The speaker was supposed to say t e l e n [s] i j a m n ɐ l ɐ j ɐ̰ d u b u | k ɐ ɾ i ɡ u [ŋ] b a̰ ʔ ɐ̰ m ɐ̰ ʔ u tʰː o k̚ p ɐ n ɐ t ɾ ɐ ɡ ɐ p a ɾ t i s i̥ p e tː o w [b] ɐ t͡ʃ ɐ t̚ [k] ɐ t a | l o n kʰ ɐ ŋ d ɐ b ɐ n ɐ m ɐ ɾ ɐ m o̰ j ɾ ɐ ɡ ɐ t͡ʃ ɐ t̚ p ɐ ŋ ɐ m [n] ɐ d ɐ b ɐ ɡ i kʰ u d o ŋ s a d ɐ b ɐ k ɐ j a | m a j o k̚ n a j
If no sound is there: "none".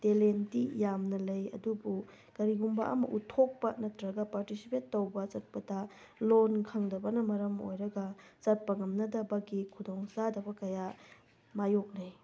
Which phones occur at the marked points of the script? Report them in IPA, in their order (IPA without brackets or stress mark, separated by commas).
t, m, b, p, n